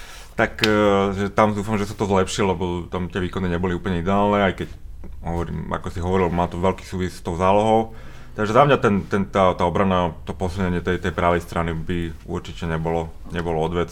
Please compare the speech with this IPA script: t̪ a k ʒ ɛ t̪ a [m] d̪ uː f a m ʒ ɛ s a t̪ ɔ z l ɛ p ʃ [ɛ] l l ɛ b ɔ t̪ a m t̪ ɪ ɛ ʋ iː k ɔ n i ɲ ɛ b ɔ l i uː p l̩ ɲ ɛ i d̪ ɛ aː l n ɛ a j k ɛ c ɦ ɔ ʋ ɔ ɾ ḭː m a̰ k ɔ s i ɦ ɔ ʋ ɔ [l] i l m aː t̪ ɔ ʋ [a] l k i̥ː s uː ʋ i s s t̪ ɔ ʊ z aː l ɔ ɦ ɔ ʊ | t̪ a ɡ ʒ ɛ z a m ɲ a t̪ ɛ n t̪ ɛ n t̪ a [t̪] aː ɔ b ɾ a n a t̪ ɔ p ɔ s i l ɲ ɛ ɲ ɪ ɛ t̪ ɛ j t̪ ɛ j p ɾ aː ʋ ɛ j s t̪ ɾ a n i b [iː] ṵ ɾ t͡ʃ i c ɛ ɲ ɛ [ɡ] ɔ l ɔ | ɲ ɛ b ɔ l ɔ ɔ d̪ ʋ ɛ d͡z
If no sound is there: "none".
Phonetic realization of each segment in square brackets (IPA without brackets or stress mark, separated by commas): m, i, ɾ, ɛ, t̪, i, b